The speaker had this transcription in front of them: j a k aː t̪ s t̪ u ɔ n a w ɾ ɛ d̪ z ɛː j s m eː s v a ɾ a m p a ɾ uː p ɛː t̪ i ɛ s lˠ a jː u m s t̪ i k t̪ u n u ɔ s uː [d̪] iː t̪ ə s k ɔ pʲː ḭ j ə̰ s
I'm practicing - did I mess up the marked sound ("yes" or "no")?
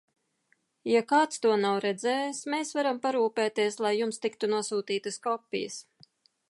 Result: yes